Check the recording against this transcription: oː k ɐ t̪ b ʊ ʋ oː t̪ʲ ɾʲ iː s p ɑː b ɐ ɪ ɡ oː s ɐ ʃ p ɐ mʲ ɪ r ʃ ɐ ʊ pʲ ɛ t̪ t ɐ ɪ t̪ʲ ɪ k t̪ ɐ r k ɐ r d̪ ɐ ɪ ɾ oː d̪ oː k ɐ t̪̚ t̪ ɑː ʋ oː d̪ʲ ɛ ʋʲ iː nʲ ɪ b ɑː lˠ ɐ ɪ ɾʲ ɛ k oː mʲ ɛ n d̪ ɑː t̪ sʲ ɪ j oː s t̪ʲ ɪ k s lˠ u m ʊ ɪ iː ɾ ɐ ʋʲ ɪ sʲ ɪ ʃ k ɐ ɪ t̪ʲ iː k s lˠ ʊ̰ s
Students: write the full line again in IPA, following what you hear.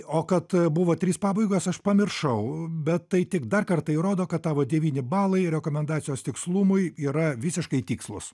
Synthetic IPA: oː k ɐ t̪ b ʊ ʋ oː t̪ʲ ɾʲ iː s p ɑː b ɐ ɪ ɡ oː s ɐ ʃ p ɐ mʲ ɪ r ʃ ɐ ʊ bʲ ɛ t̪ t ɐ ɪ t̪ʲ ɪ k d̪ ɐ r k ɐ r t̪ ɐ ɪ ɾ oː d̪ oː k ɐ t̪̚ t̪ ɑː ʋ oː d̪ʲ ɛ ʋʲ iː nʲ ɪ b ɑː lˠ ɐ ɪ ɾʲ ɛ k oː mʲ ɛ n d̪ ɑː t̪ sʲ ɪ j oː s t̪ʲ ɪ k s lˠ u m ʊ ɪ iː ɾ ɐ ʋʲ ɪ sʲ ɪ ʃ k ɐ ɪ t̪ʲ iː k s lˠ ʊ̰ s

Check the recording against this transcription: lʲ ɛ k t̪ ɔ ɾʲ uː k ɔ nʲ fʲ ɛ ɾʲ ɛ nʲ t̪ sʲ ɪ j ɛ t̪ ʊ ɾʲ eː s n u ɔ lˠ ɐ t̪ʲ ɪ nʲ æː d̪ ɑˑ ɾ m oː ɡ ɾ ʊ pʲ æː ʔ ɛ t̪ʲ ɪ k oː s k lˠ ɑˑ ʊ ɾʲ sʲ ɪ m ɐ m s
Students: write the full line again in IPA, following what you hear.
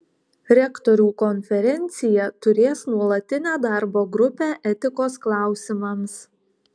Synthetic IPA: ɾʲ ɛ k t̪ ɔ ɾʲ uː k ɔ nʲ fʲ ɛ ɾʲ ɛ nʲ t̪ sʲ ɪ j ɛ t̪ ʊ ɾʲ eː s n u ɔ lˠ ɐ t̪ʲ ɪ nʲ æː d̪ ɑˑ ɾ b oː ɡ ɾ ʊ pʲ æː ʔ ɛ t̪ʲ ɪ k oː s k lˠ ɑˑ ʊ sʲ ɪ m ɐ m s

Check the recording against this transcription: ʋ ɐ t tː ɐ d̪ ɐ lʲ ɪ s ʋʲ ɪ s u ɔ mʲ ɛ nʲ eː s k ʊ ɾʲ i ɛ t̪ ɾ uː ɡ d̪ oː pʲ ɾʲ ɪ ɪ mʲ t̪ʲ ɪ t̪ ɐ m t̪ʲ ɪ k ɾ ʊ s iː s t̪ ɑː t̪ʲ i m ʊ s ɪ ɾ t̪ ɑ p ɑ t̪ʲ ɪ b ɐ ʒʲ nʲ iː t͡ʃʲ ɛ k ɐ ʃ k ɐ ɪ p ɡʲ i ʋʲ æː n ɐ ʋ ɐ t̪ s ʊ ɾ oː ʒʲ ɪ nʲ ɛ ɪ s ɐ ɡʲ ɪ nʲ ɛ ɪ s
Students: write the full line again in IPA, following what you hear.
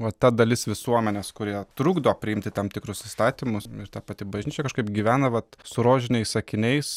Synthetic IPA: ʋ ɐ t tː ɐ d̪ ɐ lʲ ɪ s ʋʲ ɪ s u ɔ mʲ ɛ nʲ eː s k ʊ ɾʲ i ɛ t̪ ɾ uː ɡ d̪ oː pʲ ɾʲ ɪ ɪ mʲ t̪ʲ ɪ t̪ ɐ m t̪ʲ ɪ k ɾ ʊ s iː s t̪ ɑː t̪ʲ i m ʊ s ɪ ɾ t̪ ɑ p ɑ t̪ʲ ɪ b ɐ ʒʲ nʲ iː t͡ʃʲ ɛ k ɐ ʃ k ɐ ɪ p ɡʲ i ʋʲ æː n ɐ ʋ ɐ t̪ s ʊ ɾ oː ʒʲ ɪ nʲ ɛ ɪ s ɐ kʲ ɪ nʲ ɛ ɪ s

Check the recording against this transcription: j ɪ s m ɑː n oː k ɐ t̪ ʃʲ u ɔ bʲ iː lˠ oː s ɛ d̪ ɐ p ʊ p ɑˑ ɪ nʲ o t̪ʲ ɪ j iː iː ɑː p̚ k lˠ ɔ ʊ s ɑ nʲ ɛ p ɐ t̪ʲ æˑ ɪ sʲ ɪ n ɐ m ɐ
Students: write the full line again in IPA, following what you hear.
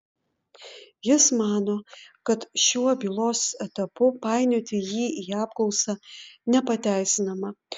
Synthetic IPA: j ɪ s m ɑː n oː k ɐ t̪ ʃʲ u ɔ bʲ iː lˠ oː s ɛ t̪ ɐ p ʊ p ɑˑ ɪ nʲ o t̪ʲ ɪ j iː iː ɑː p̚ k lˠ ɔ ʊ s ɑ nʲ ɛ p ɐ t̪ʲ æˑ ɪ sʲ ɪ n ɐ m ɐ

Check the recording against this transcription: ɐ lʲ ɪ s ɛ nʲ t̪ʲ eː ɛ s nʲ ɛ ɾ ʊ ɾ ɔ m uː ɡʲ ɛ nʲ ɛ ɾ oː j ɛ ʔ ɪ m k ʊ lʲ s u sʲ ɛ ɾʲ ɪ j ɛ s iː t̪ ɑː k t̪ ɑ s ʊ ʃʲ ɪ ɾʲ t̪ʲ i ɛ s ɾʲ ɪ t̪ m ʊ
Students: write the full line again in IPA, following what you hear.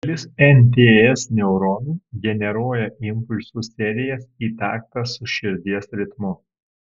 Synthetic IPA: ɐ lʲ ɪ s ɛ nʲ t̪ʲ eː ɛ s nʲ ɛ ʊ ɾ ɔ n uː ɡʲ ɛ nʲ ɛ ɾ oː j ɛ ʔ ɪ m p ʊ lʲ s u sʲ ɛ ɾʲ ɪ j ɛ s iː t̪ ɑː k t̪ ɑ s ʊ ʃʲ ɪ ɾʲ d̪ʲ i ɛ s ɾʲ ɪ t̪ m ʊ

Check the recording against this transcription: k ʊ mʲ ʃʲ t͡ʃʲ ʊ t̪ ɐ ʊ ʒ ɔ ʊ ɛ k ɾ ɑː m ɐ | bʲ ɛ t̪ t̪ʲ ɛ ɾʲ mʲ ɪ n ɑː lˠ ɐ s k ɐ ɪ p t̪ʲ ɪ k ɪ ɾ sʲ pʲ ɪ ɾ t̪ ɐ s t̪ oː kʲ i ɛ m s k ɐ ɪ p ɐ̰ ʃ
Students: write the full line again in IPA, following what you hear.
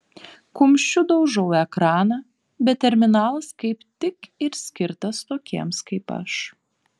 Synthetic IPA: k ʊ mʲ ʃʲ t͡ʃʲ ʊ d̪ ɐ ʊ ʒ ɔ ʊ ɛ k ɾ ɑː n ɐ | bʲ ɛ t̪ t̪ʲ ɛ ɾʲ mʲ ɪ n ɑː lˠ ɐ s k ɐ ɪ p t̪ʲ ɪ k ɪ ɾ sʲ kʲ ɪ ɾ t̪ ɐ s t̪ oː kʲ i ɛ m s k ɐ ɪ p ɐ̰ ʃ

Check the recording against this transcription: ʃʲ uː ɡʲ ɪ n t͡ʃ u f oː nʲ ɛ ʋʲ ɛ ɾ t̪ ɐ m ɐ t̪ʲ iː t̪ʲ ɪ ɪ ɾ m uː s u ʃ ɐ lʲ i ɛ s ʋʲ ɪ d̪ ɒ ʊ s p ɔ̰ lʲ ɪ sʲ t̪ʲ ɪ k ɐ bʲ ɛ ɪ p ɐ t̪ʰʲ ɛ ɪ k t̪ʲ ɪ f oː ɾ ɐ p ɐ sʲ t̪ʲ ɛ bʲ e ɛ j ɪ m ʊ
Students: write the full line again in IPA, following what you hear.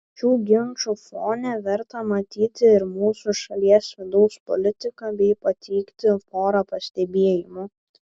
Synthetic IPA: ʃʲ uː ɡʲ ɪ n t͡ʃ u f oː nʲ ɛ ʋʲ ɛ ɾ t̪ ɐ m ɐ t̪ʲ iː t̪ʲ ɪ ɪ ɾ m uː s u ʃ ɐ lʲ i ɛ s ʋʲ ɪ d̪ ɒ ʊ s p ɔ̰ lʲ ɪ t̪ʲ ɪ k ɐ bʲ ɛ ɪ p ɐ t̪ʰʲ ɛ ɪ k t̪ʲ ɪ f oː ɾ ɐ p ɐ sʲ t̪ʲ ɛ bʲ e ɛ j ɪ m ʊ

